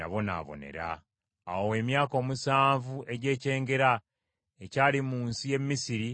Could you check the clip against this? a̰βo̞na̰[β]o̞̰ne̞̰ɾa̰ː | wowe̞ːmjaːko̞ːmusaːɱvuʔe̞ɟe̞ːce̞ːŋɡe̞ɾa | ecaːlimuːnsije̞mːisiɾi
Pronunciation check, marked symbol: correct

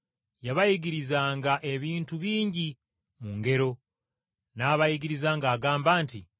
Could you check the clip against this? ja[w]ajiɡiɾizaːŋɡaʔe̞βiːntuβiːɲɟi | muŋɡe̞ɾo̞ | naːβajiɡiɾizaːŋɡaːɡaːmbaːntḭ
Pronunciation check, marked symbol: incorrect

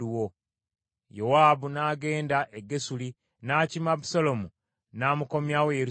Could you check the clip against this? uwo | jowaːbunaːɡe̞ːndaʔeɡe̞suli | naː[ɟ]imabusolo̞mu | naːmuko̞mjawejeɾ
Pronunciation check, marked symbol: incorrect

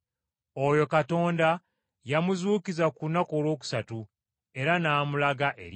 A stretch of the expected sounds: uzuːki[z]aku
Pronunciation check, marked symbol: correct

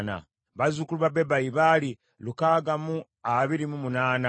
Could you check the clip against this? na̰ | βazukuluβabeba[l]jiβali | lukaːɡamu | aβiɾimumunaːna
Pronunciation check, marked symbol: incorrect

